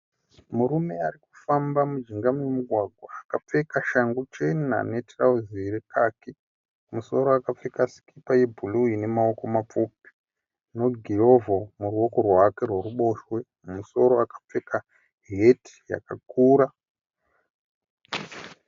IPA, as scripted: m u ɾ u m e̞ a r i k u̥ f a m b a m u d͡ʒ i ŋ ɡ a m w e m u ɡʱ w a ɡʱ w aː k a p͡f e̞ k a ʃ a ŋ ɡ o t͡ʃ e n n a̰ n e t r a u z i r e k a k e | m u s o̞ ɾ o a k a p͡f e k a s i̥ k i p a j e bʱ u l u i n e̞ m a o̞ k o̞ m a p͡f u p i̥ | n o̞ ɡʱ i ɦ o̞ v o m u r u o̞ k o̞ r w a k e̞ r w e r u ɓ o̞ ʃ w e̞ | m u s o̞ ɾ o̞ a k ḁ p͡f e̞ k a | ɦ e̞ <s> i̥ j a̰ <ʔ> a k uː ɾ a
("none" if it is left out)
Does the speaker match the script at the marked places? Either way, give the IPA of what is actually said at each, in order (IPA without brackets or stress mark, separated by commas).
t, k